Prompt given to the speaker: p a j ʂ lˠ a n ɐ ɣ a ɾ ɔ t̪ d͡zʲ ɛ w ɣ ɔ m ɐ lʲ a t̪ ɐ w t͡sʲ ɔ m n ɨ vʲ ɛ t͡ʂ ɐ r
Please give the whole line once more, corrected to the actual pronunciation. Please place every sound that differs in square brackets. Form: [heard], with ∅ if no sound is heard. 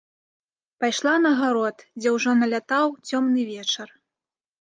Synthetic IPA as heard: p a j ʂ lˠ a n ɐ ɣ a ɾ ɔ t̪ d͡zʲ ɛ w [ʐ] ɔ [n] ɐ lʲ a t̪ [a] w t͡sʲ ɔ m n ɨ vʲ ɛ t͡ʂ ɐ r